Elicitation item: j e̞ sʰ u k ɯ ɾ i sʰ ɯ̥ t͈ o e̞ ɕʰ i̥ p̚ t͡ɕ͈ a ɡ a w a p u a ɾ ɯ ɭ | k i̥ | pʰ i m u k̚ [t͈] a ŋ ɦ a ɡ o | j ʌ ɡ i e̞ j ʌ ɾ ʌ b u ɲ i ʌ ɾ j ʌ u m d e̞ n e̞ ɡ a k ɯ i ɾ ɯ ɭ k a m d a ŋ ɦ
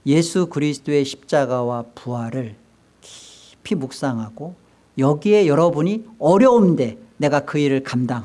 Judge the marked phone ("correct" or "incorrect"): incorrect